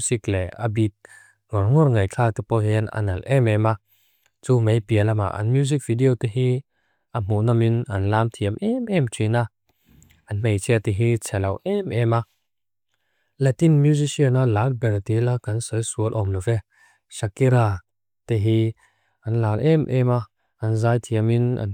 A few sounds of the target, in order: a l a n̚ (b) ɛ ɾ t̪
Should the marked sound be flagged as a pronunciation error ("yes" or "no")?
no